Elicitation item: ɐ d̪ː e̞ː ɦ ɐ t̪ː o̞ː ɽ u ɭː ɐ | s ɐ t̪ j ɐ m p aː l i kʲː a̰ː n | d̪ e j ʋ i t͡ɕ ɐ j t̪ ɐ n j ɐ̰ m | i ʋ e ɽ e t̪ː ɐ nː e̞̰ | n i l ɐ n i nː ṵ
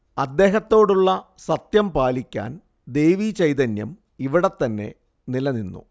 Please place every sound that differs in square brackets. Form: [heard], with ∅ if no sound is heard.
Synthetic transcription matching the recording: ɐ d̪ː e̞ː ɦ ɐ t̪ː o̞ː ɽ u ɭː ɐ | s ɐ t̪ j ɐ m p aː l i kʲː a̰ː n | d̪ e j ʋ i t͡ɕ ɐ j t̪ ɐ n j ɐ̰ m | i ʋ [i] ɽ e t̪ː ɐ nː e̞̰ | n i l ɐ n i nː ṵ